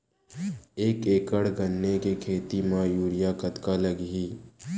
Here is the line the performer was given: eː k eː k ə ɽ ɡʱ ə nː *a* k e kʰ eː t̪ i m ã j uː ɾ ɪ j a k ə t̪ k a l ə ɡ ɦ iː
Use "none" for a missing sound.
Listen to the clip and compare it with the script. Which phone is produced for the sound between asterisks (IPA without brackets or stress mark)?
e